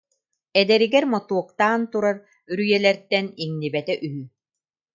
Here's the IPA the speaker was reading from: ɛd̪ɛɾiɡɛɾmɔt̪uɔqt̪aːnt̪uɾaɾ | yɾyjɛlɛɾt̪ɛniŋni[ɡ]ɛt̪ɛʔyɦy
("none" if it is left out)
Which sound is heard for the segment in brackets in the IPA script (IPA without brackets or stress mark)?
b